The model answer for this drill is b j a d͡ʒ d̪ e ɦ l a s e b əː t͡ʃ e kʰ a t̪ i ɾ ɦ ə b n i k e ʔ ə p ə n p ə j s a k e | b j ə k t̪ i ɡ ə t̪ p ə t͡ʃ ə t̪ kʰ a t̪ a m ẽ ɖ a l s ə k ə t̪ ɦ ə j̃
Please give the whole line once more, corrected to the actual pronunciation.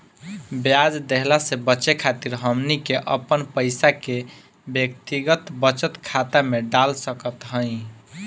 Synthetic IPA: b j a d͡ʒ d̪ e ɦ l a s e b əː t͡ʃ e kʰ a t̪ i ɾ ɦ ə m n i k e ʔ ə p ə n p ə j s a k e | b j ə k t̪ i ɡ ə t̪ b ə t͡ʃ ə t̪ kʰ a t̪ a m e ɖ a l s ə k ə t̪ ɦ ə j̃